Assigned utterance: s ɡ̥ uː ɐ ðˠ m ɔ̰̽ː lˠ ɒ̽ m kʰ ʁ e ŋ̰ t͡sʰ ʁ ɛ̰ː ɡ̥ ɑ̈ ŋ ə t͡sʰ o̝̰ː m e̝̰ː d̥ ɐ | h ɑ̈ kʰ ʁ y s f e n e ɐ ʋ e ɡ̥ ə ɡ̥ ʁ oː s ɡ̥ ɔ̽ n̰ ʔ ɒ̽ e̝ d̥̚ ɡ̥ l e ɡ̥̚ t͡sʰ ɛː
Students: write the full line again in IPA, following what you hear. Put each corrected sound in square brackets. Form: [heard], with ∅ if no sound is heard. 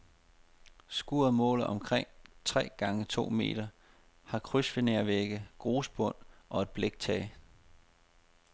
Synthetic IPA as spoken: s ɡ̥ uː ɐ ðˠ m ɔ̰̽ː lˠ ɒ̽ m kʰ ʁ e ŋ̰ t͡sʰ ʁ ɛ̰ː ɡ̥ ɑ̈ ŋ ə t͡sʰ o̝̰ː m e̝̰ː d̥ ɐ | h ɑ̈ kʰ ʁ y s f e n e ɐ ʋ e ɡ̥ ə ɡ̥ ʁ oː s [b̥] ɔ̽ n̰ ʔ ɒ̽ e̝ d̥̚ [b̥] l e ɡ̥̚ t͡sʰ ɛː